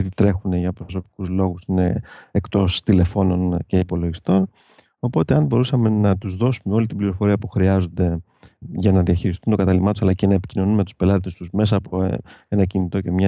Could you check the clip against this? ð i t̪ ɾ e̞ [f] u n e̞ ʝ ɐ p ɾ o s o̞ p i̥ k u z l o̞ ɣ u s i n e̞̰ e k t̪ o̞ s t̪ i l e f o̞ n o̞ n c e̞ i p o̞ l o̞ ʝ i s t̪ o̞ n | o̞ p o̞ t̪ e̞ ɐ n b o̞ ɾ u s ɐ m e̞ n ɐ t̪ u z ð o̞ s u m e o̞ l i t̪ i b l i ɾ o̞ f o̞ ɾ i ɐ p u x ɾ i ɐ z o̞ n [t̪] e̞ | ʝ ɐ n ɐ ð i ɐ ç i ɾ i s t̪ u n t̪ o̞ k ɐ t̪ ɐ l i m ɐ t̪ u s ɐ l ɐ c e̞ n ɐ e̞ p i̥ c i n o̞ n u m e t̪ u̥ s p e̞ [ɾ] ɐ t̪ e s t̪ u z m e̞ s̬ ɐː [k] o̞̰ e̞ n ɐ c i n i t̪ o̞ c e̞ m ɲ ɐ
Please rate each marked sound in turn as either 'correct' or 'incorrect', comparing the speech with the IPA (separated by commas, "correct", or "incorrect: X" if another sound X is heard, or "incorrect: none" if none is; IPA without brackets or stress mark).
incorrect: x, incorrect: d̪, incorrect: l, incorrect: p